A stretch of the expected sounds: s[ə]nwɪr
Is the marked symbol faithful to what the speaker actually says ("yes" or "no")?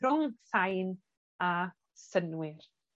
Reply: yes